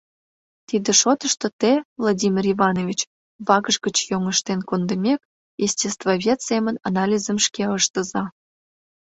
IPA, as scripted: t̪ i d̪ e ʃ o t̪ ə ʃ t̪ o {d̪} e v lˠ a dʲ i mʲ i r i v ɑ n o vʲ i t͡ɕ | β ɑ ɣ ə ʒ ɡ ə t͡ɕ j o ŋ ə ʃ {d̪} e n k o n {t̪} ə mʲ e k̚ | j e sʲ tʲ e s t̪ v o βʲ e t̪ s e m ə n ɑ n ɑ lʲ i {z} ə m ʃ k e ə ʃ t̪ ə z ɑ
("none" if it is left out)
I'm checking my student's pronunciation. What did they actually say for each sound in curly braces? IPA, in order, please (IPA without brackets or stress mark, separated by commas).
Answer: t̪, t̪, d̪, z